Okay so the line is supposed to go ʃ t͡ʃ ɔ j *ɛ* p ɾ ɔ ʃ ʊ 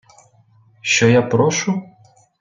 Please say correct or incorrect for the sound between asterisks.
incorrect